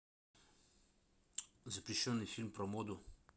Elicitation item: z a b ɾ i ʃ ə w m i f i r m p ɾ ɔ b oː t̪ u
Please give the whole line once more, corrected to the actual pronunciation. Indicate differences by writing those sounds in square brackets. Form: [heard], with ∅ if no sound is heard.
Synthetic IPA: z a [p] ɾ i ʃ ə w [n] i f i [l] m p ɾ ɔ [m] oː [d̪] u